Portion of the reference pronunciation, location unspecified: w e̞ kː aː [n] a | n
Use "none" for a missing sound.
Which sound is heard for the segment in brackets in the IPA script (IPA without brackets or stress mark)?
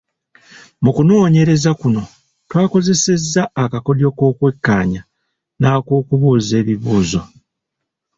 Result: ɲ